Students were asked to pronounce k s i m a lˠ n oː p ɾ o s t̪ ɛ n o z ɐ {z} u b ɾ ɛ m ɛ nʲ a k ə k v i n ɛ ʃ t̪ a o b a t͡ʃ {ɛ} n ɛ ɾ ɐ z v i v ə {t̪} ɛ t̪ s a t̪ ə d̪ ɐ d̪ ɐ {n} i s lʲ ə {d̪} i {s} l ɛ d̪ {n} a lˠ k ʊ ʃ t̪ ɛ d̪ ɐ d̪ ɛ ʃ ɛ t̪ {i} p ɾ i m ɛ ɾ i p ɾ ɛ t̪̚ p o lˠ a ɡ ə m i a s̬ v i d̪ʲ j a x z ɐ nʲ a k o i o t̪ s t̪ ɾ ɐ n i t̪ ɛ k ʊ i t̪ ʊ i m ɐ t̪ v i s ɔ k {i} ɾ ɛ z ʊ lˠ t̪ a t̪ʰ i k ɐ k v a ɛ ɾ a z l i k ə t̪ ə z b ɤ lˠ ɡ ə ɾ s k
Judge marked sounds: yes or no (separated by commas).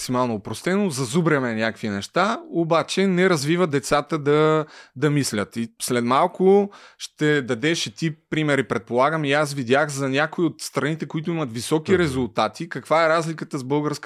yes, yes, no, no, no, yes, no, yes, yes